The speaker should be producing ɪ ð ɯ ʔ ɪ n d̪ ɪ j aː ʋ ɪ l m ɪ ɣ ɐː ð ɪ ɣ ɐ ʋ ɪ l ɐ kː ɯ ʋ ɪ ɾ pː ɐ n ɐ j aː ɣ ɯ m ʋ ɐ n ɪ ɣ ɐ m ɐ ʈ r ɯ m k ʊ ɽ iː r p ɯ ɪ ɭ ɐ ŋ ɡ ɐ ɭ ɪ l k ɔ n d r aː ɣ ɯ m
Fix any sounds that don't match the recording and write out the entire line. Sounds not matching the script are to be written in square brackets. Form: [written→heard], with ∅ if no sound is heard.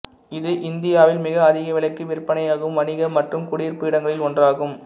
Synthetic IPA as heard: ɪ ð ɯ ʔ ɪ n d̪ ɪ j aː ʋ ɪ l m ɪ ɣ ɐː ð ɪ ɣ ɐ ʋ ɪ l ɐ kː ɯ ʋ ɪ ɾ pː ɐ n ɐ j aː ɣ ɯ m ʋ ɐ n ɪ ɣ ɐ m ɐ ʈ r ɯ m k ʊ ɽ iː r p ɯ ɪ [ɭ→ɽ] ɐ ŋ ɡ ɐ ɭ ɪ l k ɔ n d r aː ɣ ɯ m